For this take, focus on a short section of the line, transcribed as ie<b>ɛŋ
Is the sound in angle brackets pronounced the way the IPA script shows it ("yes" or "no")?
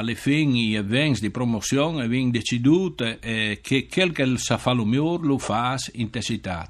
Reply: no